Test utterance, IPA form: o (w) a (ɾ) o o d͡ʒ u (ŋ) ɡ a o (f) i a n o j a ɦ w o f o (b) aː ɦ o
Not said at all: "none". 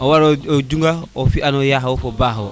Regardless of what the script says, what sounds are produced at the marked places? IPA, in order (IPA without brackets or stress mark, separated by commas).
w, ɾ, ŋ, f, b